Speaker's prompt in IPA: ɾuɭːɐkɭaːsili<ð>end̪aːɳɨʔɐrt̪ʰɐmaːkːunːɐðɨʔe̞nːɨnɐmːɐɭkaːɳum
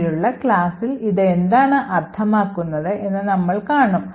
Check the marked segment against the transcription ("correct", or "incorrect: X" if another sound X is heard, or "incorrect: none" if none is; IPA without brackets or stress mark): correct